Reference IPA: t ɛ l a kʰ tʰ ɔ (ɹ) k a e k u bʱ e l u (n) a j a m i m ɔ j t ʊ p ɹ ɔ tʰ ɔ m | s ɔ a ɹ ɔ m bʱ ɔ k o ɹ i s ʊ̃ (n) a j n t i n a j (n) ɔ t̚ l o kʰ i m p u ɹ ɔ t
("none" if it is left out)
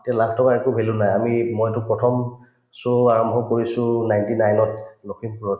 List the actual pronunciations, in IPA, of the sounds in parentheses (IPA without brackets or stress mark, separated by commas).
none, n, n, n